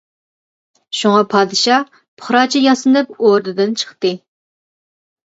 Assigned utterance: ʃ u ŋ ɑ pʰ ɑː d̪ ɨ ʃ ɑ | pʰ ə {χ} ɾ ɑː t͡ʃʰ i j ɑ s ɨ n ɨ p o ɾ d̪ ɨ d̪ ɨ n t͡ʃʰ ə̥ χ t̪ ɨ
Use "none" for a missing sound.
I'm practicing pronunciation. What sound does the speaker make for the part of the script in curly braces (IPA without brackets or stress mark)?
χ